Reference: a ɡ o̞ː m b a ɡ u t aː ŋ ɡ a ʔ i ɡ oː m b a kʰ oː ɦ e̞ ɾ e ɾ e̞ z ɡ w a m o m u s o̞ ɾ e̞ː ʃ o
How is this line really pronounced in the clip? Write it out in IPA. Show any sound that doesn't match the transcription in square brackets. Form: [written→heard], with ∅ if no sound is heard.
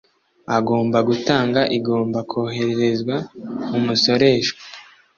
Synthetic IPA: a ɡ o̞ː m b a ɡ u t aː ŋ ɡ a ʔ i ɡ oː m b a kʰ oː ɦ e̞ ɾ e ɾ e̞ z ɡ w a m [o→u] m u s o̞ ɾ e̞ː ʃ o

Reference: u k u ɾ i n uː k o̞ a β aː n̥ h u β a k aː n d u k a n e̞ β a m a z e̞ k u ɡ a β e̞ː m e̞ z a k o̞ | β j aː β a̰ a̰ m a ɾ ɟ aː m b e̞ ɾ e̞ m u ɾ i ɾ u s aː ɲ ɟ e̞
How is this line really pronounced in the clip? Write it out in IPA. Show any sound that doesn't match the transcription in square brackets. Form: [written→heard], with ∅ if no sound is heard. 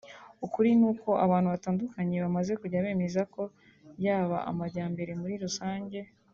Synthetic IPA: u k u ɾ i n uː k o̞ a β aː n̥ h u β a [k→t] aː n d u k a [n→ɲ] e̞ β a m a z e̞ k u [ɡ→ɟ] a β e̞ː m e̞ z a k o̞ | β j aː β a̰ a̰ m a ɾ ɟ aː m b e̞ ɾ e̞ m u ɾ i ɾ u s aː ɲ ɟ e̞

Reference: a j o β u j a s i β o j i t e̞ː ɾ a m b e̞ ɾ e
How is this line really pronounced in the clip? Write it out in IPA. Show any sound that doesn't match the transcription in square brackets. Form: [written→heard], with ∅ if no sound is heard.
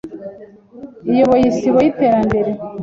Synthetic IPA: [a→i] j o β [u→o] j [a→i] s i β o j i t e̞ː ɾ a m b e̞ ɾ e

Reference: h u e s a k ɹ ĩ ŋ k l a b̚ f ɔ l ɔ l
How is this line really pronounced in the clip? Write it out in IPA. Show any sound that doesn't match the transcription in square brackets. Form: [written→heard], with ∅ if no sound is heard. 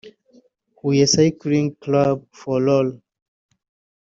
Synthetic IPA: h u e s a k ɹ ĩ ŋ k l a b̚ f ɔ l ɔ l

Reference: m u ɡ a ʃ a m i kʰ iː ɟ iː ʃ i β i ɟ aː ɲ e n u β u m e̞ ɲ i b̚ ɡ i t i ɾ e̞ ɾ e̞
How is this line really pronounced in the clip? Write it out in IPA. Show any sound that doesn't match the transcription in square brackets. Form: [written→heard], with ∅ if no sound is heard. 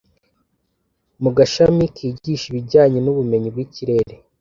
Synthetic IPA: m u ɡ a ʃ a m i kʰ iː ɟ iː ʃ i β i ɟ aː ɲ e n u β u m e̞ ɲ i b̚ ɡ i [t→c] i ɾ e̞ ɾ e̞

